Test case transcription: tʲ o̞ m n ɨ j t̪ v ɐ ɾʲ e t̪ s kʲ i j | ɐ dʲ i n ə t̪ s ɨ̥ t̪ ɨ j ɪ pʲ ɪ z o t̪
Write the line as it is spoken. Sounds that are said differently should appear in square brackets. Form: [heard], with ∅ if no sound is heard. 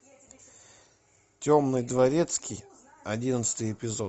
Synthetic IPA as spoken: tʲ o̞ m n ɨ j [d̪] v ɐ ɾʲ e t̪ s kʲ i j | ɐ dʲ i n ə t̪ s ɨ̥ t̪ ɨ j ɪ pʲ ɪ z o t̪